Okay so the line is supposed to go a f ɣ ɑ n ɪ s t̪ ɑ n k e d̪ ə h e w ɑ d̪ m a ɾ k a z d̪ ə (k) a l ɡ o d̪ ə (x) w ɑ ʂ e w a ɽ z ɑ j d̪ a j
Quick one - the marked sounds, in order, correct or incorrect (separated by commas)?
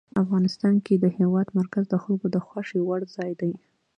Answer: incorrect, correct